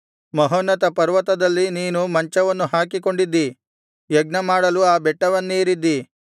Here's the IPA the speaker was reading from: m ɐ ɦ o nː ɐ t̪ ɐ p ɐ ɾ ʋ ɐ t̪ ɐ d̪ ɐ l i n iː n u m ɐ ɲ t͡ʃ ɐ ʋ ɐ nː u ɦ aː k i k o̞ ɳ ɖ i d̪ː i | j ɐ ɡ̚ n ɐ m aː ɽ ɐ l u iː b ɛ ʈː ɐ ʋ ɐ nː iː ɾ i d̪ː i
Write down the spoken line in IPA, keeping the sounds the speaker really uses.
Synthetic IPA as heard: m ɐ ɦ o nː ɐ t̪ ɐ p ɐ ɾ ʋ ɐ t̪ ɐ d̪ ɐ lː i n iː n u m ɐ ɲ t͡ʃ ɐ ʋ ɐ nː u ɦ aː k i k o̞ ɳ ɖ i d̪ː i | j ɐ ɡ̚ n ɐ m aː ɽ ɐ l u aː b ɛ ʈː ɐ ʋ ɐ nː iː ɾ i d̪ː i